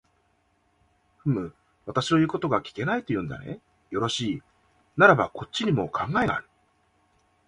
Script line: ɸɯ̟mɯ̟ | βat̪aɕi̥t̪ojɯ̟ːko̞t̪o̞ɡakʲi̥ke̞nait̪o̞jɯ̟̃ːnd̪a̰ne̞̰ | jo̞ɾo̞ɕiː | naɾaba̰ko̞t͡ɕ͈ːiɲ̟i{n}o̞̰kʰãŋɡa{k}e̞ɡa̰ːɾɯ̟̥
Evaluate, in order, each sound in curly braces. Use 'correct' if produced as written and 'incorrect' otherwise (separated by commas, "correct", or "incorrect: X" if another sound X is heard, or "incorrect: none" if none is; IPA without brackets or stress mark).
incorrect: m, incorrect: none